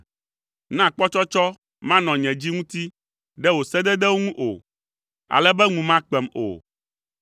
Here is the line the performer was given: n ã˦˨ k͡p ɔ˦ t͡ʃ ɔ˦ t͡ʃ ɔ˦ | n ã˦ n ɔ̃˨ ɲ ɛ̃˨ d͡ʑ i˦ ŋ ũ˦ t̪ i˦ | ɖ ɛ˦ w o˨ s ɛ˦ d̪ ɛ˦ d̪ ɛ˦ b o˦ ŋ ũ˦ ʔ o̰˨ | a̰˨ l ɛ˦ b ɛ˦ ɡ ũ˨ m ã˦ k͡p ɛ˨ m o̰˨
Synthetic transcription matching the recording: n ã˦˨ k͡p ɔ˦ t͡ʃ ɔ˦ t͡ʃ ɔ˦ | m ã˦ n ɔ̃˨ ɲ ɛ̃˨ d͡ʑ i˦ ŋ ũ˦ t̪ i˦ | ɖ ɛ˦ w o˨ s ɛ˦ d̪ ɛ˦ d̪ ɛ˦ w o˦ ŋ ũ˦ ʔ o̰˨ | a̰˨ l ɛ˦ b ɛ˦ ŋ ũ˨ m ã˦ k͡p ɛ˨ m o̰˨